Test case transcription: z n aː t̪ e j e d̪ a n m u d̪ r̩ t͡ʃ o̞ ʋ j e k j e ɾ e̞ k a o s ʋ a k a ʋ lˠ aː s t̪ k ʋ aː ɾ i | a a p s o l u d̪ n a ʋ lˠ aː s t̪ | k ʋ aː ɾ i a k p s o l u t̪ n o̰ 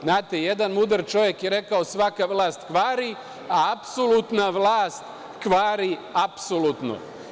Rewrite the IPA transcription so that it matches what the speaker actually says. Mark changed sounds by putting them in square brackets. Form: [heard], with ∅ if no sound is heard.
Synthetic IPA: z n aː t̪ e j e d̪ a n m u d̪ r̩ t͡ʃ o̞ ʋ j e k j e ɾ e̞ k a o s ʋ a k a ʋ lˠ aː s t̪ k ʋ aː ɾ i | a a p s o l u [t̪] n a ʋ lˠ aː s t̪ | k ʋ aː ɾ i a [∅] p s o l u t̪ n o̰